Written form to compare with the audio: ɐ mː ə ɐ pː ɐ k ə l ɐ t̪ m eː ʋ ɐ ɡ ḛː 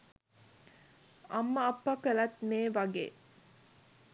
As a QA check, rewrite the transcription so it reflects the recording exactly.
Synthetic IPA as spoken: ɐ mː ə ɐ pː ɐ k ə l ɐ t̪ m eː ʋ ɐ ɡ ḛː